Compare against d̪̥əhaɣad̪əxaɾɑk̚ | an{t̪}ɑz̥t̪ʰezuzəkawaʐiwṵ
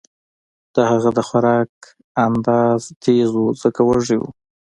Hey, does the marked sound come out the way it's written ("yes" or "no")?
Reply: no